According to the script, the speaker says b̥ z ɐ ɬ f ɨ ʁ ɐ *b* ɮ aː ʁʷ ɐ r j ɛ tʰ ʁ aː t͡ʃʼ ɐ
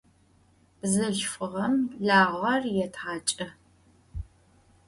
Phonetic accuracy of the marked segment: incorrect: m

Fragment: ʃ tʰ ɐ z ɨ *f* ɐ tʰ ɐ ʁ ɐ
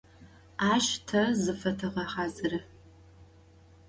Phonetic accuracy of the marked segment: correct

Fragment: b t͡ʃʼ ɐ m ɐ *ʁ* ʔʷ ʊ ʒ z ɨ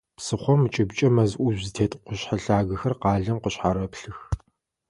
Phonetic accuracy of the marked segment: incorrect: z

